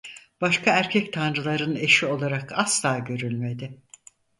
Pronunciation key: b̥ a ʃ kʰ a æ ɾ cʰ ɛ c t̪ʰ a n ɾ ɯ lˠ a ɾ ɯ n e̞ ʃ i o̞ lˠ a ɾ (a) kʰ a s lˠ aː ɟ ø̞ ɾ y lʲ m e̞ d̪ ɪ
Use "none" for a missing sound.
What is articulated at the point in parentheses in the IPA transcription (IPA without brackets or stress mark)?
a